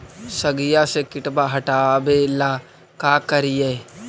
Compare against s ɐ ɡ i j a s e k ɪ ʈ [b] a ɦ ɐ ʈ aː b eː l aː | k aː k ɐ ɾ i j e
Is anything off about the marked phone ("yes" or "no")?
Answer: no